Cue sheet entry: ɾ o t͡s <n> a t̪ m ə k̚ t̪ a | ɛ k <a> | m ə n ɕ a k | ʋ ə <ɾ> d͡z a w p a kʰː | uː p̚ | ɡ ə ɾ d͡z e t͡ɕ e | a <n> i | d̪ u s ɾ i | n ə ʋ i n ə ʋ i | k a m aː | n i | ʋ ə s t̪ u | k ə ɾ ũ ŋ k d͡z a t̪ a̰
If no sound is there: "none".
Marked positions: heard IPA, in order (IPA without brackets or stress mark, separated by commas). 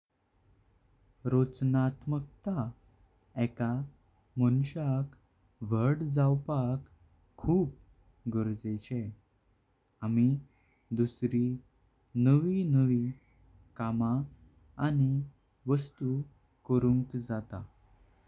n, a, ɽ, m